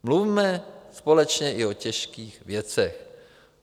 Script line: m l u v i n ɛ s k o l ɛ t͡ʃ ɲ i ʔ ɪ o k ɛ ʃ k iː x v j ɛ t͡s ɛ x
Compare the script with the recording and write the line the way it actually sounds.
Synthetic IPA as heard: m l u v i m ɛ s p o l ɛ t͡ʃ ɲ ɛ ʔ ɪ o c ɛ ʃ k iː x v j ɛ t͡s ɛ x